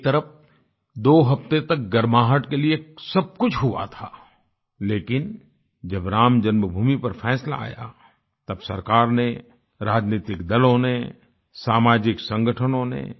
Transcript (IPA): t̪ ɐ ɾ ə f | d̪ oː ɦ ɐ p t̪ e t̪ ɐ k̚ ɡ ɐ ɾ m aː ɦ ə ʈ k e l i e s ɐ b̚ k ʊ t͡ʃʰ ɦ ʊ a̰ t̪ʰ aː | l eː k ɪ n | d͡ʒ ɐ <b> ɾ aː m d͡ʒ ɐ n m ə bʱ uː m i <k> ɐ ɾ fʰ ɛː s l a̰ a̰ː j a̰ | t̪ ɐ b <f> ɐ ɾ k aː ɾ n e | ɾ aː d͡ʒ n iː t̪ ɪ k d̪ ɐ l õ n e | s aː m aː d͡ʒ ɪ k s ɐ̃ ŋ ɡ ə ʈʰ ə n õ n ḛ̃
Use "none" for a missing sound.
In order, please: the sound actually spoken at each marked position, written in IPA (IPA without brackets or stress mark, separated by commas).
b, p, s